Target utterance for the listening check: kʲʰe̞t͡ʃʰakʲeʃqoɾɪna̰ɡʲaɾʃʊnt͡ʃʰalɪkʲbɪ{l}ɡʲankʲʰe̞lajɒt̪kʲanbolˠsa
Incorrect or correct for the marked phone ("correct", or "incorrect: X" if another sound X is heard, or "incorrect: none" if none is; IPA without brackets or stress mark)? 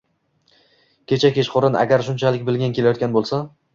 correct